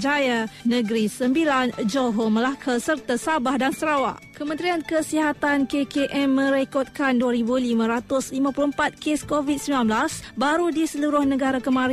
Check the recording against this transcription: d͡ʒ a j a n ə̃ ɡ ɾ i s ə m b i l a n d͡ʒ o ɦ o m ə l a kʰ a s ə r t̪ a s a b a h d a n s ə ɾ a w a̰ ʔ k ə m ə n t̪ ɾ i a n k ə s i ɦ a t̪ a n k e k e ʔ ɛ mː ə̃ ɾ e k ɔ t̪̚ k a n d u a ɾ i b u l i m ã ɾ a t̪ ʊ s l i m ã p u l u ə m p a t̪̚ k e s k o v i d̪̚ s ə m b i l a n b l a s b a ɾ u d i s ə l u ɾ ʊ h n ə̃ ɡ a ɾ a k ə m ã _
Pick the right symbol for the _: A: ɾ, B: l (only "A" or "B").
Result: A